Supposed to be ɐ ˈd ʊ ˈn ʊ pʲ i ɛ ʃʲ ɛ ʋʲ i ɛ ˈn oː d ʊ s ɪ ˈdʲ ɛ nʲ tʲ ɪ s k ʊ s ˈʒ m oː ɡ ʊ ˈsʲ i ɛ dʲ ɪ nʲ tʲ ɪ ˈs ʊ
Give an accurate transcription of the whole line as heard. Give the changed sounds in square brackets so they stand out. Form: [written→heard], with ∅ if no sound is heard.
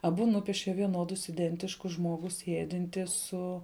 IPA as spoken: ɐ [ˈd→ˈb] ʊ ˈn ʊ pʲ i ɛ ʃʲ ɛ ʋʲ i ɛ ˈn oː d ʊ s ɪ ˈdʲ ɛ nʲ tʲ ɪ [s→ʃ] k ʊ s ˈʒ m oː ɡ ʊ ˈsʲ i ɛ dʲ ɪ nʲ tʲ ɪ ˈs ʊ